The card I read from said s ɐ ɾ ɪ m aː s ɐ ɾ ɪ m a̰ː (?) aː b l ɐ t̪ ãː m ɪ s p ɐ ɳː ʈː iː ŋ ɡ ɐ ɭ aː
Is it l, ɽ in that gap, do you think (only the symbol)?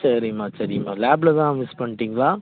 l